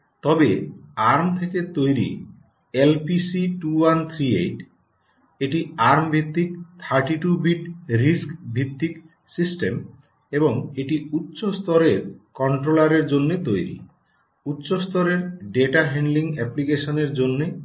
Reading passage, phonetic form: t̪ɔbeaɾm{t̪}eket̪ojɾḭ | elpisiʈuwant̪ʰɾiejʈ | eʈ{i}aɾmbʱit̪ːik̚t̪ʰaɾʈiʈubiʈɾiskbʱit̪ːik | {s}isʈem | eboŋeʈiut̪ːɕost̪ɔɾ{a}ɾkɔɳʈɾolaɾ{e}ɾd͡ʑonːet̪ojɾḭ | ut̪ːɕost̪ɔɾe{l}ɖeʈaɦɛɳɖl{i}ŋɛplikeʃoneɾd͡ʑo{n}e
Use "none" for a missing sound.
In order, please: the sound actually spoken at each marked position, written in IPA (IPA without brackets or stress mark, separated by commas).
t̪ʰ, i, s, e, e, ɾ, i, nː